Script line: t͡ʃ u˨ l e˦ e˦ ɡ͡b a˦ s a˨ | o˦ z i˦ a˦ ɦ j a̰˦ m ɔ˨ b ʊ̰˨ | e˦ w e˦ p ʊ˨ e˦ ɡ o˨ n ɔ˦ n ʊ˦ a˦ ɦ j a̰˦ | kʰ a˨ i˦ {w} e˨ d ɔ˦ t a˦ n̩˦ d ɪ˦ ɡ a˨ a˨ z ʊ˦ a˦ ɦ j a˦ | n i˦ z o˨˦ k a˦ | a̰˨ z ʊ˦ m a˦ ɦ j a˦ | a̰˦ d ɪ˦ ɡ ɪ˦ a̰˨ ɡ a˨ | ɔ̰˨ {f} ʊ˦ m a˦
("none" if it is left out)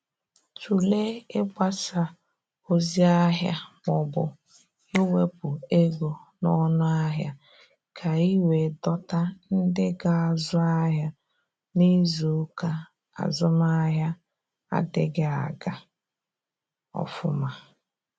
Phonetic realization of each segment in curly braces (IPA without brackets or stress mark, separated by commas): w, f